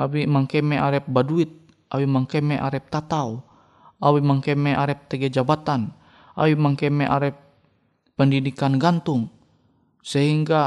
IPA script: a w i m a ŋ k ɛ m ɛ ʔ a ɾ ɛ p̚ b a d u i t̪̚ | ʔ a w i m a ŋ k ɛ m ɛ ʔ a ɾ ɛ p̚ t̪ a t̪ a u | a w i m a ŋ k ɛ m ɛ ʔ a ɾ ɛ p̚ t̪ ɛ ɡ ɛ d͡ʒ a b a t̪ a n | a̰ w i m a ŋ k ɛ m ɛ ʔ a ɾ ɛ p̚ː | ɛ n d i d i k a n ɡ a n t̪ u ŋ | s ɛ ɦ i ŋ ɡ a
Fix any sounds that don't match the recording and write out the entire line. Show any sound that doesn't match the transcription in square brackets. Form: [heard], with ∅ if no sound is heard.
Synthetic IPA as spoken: a w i m a ŋ k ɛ m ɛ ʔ a ɾ ɛ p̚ b a d u i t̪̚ | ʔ a w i m a ŋ k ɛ m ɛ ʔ a ɾ ɛ p̚ t̪ a t̪ a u | a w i m a ŋ k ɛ m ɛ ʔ a ɾ ɛ p̚ t̪ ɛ ɡ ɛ d͡ʒ a b a t̪ a n | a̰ w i m a ŋ k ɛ m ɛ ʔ a ɾ ɛ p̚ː | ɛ n d i d i k a n ɡ a n t̪ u ŋ | s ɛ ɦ i ŋ ɡ a